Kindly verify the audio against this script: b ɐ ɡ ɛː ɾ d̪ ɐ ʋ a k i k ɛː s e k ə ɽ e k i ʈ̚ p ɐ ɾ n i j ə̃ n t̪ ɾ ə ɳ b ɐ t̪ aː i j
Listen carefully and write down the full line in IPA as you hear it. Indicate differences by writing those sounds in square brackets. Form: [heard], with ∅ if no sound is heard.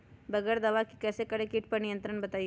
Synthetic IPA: b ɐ ɡ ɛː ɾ d̪ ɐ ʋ a k i k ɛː s e k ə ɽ e k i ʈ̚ p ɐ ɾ n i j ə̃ n t̪ ɾ ə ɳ b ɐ t̪ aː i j